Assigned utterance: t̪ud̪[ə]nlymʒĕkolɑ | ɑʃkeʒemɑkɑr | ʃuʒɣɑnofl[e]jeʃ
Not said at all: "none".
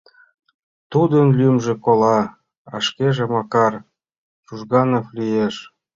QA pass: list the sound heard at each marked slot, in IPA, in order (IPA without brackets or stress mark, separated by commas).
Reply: ə, i